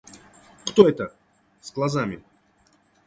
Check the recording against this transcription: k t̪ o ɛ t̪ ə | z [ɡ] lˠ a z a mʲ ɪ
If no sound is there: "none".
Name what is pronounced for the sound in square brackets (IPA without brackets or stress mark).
ɡ